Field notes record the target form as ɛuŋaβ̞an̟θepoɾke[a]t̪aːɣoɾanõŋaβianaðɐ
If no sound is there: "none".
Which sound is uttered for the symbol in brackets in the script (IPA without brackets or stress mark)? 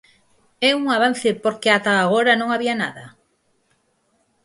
a